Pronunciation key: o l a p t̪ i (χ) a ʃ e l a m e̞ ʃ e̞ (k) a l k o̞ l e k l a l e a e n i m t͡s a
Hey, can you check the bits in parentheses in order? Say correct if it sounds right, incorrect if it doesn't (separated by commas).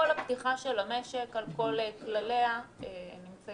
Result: correct, correct